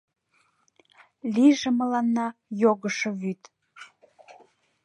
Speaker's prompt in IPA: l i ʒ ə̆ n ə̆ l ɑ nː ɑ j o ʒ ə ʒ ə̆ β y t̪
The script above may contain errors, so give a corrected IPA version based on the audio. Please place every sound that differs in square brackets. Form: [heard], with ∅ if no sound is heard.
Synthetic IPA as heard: l i ʒ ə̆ [m] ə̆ l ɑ nː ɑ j o [ɣ] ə [ʃ] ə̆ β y t̪